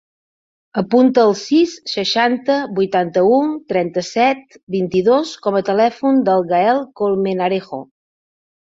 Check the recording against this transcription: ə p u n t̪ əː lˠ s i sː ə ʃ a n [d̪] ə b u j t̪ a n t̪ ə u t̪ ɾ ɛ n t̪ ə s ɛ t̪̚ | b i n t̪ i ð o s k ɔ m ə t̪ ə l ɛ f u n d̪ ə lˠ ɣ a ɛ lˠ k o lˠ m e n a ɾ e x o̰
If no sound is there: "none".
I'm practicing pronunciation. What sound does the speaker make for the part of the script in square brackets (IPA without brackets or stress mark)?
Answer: t̪